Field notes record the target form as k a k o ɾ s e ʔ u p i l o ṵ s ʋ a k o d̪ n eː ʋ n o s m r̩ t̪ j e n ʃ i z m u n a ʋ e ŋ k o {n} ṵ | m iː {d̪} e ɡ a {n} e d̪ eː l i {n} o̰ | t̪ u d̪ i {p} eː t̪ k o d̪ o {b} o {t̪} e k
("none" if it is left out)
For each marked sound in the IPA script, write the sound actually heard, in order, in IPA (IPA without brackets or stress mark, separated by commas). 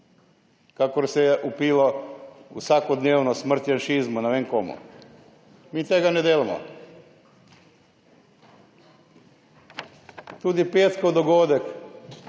m, t̪, n, m, p, ɡ, d̪